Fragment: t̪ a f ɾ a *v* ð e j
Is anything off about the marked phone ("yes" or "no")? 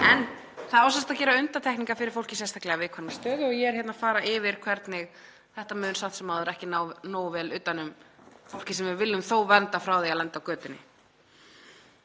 yes